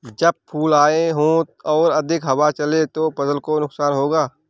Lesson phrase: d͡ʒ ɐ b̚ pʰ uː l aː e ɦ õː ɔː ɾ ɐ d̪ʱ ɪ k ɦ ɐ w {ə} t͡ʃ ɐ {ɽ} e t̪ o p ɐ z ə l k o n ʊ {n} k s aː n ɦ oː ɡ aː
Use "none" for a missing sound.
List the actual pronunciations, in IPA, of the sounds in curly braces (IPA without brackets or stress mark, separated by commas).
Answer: a, l, none